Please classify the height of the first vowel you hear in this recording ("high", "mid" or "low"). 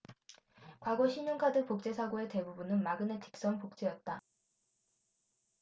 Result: low